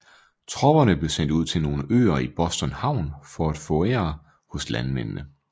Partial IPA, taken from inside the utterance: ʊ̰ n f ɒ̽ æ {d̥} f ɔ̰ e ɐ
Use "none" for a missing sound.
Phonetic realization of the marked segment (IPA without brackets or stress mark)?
d̥